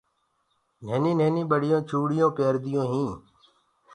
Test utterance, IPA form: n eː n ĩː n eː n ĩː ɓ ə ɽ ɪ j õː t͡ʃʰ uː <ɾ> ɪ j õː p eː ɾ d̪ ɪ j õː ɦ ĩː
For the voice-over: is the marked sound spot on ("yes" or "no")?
no